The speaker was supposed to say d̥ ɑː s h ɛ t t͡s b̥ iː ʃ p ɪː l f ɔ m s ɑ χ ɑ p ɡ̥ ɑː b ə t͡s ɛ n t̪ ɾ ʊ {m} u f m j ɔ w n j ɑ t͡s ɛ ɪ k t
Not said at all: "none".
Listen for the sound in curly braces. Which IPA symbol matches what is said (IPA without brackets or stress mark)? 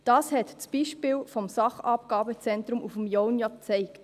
m